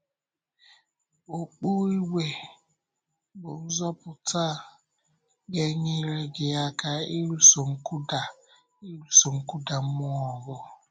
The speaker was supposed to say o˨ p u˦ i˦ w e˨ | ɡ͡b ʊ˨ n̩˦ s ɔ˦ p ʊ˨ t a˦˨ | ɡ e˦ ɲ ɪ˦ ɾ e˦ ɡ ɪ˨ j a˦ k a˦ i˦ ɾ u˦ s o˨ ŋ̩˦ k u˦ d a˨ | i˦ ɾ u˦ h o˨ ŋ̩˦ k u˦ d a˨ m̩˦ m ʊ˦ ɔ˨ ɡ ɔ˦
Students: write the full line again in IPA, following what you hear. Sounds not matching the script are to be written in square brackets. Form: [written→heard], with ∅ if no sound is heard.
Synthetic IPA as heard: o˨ [p→k͡p] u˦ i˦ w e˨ | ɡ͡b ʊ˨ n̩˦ [s→z] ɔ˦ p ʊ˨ t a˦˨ | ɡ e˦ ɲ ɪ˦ ɾ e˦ ɡ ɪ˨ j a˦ k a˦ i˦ ɾ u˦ s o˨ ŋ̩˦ k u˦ d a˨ | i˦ ɾ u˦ [h→s] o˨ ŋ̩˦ k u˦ d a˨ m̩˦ m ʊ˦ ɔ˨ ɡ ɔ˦